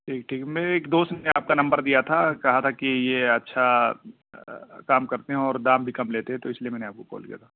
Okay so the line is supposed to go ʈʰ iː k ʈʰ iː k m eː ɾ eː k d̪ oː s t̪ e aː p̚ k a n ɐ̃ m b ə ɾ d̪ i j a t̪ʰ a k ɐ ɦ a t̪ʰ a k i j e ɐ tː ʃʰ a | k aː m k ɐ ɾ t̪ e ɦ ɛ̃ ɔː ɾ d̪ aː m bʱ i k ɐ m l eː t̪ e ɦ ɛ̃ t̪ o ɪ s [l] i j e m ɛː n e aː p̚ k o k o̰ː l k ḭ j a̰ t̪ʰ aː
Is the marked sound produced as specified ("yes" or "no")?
yes